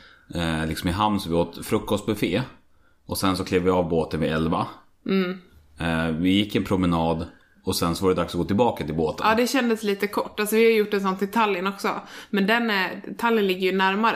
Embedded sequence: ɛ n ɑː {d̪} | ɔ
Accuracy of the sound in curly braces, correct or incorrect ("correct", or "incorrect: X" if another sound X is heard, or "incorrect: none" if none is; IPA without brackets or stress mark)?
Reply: correct